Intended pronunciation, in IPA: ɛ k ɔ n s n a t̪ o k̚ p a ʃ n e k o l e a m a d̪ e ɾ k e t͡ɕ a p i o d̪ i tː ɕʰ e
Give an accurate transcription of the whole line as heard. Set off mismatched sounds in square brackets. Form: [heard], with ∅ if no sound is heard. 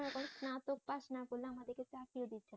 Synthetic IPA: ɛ k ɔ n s n a t̪ o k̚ p a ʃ n [a] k o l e a m a d̪ e ɾ k e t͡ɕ a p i o d̪ i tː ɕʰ e

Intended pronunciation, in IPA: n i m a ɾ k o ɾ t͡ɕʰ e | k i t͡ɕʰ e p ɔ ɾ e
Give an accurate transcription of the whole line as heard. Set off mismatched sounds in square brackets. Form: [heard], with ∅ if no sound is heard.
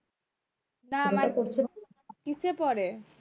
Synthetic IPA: n [a] m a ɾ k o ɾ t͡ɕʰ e | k i t͡ɕʰ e p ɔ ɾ e

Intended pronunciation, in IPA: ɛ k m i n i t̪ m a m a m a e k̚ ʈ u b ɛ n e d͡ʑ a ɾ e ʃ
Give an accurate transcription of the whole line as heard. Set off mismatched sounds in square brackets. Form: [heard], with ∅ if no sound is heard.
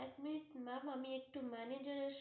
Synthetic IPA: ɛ k m i n i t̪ m a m a m [i] e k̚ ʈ u [m] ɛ n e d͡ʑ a ɾ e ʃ

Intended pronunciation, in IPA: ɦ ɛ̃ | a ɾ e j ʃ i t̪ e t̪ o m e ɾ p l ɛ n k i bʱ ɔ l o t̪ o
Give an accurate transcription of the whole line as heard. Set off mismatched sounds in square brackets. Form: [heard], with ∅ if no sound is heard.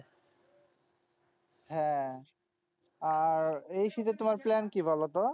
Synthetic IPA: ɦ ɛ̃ | a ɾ e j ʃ i t̪ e t̪ o m [a] ɾ p l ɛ n k i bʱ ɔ l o t̪ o

